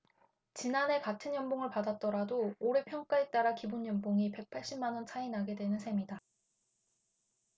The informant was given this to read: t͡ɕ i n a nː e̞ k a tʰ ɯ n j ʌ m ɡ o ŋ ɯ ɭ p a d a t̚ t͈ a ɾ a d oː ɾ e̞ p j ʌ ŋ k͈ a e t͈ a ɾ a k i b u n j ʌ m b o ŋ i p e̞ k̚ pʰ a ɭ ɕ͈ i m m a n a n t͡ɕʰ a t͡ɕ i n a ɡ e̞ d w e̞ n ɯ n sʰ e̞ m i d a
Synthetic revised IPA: t͡ɕ i n a n e̞ k a tʰ ɯ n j ʌ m b o ŋ ɯ ɭ p a d a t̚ t͈ ʌ ɾ a d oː ɾ e̞ pʰ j ʌ ŋ k͈ a e t͈ a ɾ a k i b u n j ʌ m b o ŋ i p e̞ k̚ pʰ a ɭ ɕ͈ i m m a n ʌ n t͡ɕʰ a i n a ɡ e̞ d w e̞ n ɯ n sʰ e̞ m i d a